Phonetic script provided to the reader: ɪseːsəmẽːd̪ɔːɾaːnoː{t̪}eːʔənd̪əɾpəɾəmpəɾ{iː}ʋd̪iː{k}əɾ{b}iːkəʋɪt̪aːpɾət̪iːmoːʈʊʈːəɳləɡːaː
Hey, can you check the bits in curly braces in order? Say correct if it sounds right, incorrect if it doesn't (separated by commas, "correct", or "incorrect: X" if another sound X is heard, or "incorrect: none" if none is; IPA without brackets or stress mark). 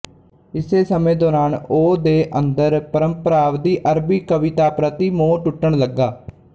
incorrect: d̪, incorrect: aː, incorrect: ʔ, correct